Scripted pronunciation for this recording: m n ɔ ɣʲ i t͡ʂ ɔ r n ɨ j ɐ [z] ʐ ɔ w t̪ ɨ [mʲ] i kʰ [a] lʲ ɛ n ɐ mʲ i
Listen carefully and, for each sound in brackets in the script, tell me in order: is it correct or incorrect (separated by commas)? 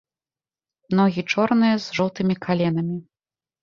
correct, correct, correct